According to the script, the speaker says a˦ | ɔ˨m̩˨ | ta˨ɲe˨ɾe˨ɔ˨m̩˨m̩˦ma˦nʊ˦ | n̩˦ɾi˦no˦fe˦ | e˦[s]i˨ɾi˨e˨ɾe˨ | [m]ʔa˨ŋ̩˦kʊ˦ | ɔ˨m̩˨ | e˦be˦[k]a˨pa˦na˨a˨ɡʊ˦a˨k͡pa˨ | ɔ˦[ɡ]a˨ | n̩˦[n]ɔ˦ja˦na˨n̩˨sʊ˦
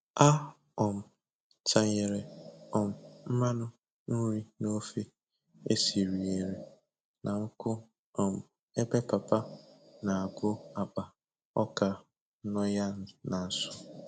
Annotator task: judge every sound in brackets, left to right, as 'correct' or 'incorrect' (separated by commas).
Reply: correct, incorrect, incorrect, incorrect, correct